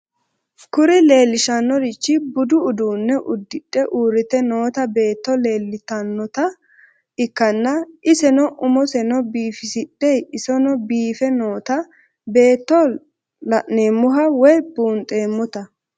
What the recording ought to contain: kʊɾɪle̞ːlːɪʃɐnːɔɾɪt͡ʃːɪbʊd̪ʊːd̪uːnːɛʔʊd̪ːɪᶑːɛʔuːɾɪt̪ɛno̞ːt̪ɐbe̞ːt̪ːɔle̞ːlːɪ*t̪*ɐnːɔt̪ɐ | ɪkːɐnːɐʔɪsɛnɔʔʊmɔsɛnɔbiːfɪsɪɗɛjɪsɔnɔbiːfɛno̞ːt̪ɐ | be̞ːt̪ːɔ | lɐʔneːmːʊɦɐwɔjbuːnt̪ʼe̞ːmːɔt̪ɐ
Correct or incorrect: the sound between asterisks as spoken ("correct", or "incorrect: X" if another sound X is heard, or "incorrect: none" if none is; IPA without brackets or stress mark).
correct